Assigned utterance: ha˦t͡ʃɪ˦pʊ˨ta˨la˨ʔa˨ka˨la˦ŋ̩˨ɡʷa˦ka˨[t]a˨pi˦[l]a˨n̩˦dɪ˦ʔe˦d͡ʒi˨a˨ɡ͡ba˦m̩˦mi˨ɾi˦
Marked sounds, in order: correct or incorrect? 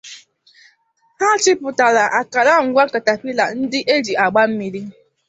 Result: correct, correct

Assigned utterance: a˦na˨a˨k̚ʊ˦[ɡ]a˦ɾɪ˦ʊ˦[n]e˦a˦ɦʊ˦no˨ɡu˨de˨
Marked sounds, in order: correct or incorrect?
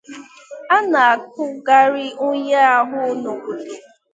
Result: correct, incorrect: ɲ

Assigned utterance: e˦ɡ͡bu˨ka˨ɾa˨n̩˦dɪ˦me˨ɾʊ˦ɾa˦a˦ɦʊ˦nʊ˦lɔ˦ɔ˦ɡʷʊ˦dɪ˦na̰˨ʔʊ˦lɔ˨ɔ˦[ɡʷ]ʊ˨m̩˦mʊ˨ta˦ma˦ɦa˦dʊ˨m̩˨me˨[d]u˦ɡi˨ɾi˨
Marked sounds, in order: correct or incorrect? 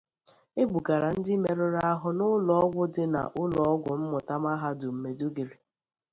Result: correct, correct

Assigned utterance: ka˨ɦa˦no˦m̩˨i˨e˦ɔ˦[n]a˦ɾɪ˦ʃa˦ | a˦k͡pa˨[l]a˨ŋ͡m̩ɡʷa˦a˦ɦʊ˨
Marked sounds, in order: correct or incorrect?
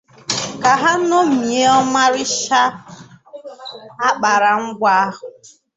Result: incorrect: m, incorrect: ɾ

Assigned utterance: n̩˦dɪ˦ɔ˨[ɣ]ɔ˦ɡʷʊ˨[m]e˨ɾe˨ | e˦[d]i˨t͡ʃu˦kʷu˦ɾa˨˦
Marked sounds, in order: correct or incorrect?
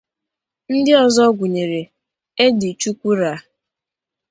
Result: incorrect: z, incorrect: ɲ, correct

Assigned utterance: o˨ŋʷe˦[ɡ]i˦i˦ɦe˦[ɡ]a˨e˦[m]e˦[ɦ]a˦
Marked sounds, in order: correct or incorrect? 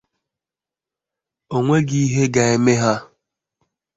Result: correct, correct, correct, correct

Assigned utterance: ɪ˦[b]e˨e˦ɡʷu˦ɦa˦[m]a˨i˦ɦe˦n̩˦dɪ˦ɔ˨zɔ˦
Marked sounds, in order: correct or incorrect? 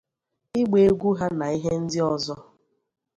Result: incorrect: ɡ͡b, incorrect: n

